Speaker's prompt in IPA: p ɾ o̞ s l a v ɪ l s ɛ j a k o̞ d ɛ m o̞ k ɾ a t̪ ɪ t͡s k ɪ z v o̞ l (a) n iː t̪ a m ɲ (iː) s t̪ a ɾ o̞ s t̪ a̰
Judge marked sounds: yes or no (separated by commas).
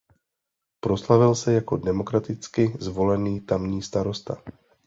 no, yes